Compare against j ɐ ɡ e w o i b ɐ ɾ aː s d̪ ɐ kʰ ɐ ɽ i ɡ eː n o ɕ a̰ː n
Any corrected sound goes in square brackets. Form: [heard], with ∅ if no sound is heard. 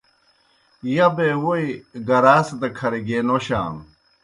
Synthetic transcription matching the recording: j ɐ [b] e w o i [ɡ] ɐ ɾ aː s d̪ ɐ kʰ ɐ [ɾ] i ɡ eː n o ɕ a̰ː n